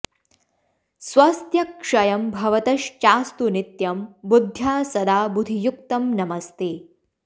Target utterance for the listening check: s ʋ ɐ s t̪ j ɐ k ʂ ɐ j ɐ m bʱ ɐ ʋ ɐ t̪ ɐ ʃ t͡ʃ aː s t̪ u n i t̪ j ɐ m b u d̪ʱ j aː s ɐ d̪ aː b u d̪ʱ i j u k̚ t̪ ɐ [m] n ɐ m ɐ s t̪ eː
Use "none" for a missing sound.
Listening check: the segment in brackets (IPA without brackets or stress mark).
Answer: m